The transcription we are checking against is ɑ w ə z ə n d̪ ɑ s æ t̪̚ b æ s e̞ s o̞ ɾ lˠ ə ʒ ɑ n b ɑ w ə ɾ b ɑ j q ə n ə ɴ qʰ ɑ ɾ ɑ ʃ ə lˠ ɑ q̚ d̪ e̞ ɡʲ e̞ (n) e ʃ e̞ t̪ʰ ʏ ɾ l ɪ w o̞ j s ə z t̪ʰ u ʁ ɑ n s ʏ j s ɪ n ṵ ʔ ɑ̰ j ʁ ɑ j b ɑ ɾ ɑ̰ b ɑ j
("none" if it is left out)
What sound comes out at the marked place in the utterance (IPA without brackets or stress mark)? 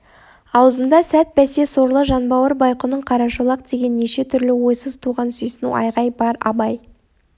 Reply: nː